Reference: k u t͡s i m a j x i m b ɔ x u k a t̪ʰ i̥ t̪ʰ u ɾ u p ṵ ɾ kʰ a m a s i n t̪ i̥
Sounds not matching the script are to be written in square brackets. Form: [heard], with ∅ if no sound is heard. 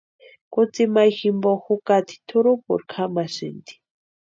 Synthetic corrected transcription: k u t͡s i m a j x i m b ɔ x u k a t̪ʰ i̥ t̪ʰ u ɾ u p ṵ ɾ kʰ a m a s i n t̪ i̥